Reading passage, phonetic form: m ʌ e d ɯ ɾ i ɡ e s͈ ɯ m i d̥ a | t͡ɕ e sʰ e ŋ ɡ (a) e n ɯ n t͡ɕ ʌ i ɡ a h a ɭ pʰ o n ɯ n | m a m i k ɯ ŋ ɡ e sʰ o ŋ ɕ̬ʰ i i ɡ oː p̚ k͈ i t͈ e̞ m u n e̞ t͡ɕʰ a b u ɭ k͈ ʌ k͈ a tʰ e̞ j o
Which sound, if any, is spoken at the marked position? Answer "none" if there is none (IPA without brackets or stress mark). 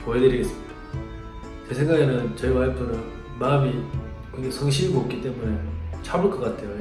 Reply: a